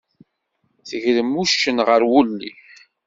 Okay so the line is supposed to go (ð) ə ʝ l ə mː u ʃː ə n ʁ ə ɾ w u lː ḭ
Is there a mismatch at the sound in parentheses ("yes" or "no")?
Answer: yes